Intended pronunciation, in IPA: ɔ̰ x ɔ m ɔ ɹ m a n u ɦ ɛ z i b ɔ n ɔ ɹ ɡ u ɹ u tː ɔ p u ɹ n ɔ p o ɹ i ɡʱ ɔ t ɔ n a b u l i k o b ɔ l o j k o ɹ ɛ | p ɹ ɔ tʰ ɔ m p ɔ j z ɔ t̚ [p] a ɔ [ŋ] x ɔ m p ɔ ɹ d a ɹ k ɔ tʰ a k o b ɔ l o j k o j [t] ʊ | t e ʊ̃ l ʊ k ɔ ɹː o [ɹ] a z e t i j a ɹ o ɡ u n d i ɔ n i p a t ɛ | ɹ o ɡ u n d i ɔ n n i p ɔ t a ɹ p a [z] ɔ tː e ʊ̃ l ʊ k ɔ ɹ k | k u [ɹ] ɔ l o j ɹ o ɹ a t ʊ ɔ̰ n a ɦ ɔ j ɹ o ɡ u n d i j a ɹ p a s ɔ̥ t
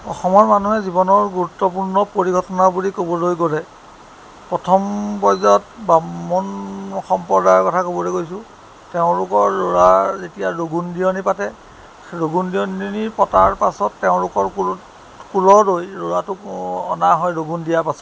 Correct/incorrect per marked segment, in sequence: incorrect, incorrect, incorrect, correct, incorrect, incorrect

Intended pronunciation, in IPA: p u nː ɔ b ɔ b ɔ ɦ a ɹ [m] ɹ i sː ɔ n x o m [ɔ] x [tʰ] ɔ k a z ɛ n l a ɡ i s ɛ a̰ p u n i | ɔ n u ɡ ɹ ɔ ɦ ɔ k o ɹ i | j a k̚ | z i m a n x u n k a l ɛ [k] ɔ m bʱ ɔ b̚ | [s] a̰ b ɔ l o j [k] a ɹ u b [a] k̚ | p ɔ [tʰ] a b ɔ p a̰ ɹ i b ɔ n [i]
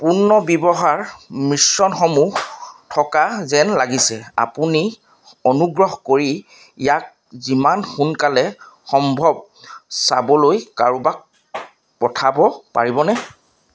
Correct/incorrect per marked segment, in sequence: correct, incorrect, correct, incorrect, correct, correct, correct, correct, incorrect

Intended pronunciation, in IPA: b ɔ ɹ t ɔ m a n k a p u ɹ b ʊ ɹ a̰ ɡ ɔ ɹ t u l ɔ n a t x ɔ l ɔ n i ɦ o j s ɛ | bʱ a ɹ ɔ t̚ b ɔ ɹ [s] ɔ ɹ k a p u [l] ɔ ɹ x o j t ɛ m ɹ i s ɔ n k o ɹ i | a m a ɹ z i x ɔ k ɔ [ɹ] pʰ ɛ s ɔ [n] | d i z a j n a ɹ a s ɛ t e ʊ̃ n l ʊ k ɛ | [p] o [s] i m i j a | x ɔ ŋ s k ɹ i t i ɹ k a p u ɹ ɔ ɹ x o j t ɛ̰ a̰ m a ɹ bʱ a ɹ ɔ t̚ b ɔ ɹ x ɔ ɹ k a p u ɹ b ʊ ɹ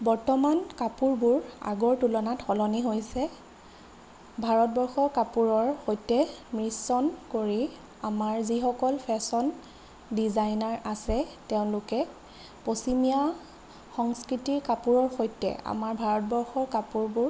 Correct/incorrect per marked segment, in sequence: incorrect, incorrect, incorrect, correct, correct, correct

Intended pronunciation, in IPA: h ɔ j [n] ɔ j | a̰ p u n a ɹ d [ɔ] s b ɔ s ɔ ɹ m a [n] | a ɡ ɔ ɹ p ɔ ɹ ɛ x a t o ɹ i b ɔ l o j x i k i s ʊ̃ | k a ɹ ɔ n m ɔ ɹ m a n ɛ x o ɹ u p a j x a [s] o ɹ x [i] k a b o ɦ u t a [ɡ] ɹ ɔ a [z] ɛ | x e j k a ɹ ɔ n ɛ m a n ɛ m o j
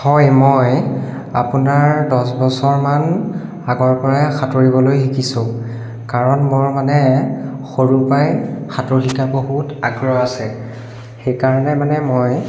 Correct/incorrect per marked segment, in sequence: incorrect, correct, correct, incorrect, correct, correct, incorrect

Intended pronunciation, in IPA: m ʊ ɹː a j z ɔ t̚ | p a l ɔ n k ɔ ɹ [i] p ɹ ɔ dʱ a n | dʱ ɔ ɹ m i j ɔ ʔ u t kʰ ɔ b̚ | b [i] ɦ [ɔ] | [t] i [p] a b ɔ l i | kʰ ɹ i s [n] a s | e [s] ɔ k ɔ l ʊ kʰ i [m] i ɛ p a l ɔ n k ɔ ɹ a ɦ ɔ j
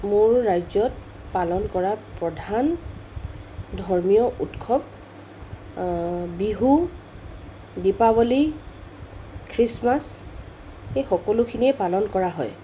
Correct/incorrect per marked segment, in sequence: incorrect, correct, incorrect, incorrect, correct, incorrect, incorrect, incorrect

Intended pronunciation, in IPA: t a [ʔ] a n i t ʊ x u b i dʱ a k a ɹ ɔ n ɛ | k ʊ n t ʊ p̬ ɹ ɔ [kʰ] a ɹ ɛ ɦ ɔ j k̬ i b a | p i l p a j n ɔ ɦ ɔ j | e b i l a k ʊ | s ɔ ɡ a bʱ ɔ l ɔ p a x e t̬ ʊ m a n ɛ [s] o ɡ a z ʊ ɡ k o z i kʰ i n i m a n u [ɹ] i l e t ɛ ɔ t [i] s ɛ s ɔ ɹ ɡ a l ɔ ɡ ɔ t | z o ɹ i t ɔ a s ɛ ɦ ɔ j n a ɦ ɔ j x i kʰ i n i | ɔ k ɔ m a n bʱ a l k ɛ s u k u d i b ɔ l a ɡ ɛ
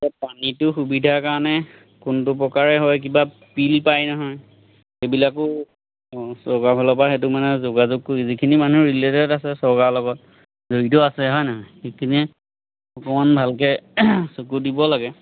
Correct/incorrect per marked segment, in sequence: incorrect, incorrect, incorrect, correct, incorrect

